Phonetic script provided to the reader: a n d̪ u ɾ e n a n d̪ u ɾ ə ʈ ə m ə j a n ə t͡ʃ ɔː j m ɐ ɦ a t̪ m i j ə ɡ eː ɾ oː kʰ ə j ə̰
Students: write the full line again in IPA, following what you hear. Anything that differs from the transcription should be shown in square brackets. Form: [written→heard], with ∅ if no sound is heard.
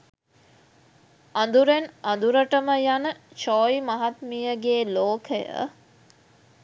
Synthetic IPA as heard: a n d̪ u ɾ e n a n d̪ u ɾ ə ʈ ə m ə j a n ə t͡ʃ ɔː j m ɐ ɦ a t̪ m i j ə ɡ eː [ɾ→l] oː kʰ ə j ə̰